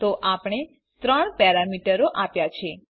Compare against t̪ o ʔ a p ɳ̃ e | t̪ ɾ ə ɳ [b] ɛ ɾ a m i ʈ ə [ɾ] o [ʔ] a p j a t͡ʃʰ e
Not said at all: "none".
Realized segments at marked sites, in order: p, ɾ, ʔ

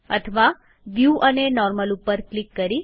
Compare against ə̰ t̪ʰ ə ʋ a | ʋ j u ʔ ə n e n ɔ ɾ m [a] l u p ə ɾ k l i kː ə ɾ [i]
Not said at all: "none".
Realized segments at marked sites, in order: ə, i

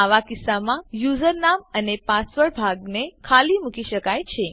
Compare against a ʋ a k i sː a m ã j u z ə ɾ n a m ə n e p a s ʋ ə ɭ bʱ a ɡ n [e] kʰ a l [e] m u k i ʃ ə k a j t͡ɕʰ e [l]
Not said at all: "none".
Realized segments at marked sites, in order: e, i, none

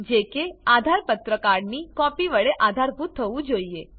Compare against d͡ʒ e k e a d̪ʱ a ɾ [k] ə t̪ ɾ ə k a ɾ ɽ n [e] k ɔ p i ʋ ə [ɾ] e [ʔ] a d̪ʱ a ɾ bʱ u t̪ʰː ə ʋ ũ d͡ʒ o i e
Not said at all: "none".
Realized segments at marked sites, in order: p, i, ɭ, ʔ

